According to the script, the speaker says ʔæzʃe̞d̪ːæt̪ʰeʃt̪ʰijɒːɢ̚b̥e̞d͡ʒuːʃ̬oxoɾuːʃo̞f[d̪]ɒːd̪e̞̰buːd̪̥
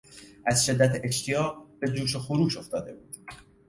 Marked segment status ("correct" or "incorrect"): incorrect